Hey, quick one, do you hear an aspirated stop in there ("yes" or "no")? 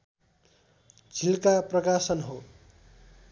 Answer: no